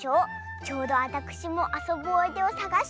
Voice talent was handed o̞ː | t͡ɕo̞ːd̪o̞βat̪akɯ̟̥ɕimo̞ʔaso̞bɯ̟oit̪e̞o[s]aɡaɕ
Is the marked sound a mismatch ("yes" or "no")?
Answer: no